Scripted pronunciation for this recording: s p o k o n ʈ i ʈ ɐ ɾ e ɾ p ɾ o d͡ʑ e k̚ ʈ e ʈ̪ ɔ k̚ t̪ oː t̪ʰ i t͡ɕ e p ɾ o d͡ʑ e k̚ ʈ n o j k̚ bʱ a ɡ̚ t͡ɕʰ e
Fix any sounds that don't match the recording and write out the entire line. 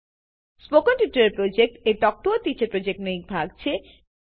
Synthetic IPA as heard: s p o k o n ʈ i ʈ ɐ ɾ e ɾ p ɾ o d͡ʑ e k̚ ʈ e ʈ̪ ɔ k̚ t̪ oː t̪ i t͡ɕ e p ɾ o d͡ʑ e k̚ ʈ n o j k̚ bʱ a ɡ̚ t͡ɕʰ e